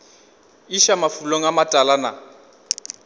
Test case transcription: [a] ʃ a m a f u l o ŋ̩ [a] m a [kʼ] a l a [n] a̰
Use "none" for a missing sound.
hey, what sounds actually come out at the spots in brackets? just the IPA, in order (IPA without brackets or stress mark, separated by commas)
i, a, tʼ, n